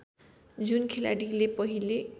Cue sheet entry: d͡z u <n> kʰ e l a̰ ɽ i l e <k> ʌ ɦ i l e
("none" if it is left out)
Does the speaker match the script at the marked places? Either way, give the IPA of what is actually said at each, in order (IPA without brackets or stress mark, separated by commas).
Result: n, p